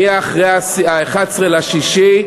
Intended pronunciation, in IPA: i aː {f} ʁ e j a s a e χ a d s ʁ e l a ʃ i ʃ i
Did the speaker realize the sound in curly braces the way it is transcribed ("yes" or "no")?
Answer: no